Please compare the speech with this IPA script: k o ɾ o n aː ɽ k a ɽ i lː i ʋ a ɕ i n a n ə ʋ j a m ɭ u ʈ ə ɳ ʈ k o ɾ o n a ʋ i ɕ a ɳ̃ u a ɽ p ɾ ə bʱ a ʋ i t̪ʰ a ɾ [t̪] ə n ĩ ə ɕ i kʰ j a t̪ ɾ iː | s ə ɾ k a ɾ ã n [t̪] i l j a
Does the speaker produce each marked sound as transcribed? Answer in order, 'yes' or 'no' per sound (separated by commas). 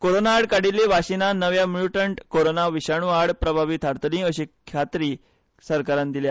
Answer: yes, no